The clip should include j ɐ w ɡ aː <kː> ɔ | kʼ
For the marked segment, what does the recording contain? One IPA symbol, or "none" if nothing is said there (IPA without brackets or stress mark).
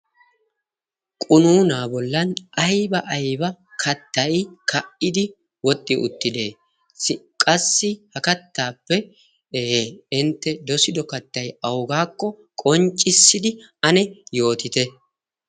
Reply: kː